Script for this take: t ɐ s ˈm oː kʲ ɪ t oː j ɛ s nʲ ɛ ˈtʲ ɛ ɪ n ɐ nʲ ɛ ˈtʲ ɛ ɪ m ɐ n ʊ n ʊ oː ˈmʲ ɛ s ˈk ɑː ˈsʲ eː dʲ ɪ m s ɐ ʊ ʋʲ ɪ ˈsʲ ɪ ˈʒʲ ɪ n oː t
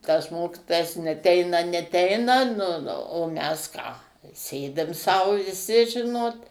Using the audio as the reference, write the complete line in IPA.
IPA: t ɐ s ˈm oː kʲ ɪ t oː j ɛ s nʲ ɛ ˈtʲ ɛ ɪ n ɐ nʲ ɛ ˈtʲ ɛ ɪ n ɐ n ʊ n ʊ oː ˈmʲ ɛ s ˈk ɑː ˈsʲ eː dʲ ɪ m s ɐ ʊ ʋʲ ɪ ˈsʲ ɪ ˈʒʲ ɪ n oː t